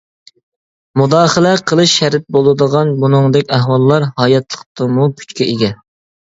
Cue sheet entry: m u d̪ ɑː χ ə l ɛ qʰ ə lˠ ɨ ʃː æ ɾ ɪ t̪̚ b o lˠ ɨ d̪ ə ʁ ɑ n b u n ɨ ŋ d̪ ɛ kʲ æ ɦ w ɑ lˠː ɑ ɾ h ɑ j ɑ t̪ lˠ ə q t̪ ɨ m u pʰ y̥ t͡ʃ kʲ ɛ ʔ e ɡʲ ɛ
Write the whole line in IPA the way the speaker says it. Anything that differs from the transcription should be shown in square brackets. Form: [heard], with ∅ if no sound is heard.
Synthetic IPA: m u d̪ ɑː χ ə l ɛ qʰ ə lˠ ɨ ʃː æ ɾ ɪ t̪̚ b o lˠ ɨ d̪ ə ʁ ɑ n b u n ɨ ŋ d̪ ɛ kʲ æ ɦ w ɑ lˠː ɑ ɾ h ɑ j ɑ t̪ lˠ ə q t̪ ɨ m u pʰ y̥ t͡ʃ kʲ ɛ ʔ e ɡʲ ɛ